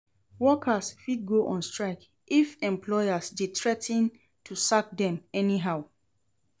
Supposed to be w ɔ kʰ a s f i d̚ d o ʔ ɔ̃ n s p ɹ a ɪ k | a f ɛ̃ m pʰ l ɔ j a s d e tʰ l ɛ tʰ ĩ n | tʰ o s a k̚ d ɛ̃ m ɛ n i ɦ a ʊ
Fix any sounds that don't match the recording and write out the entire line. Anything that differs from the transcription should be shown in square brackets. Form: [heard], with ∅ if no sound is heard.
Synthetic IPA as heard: w ɔ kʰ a s f i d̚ [ɡ] o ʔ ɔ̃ n s [t] ɹ a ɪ k | [i] f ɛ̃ m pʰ l ɔ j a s d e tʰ [ɹ] ɛ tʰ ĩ n | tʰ [u] s a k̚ d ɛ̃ m ɛ n i ɦ a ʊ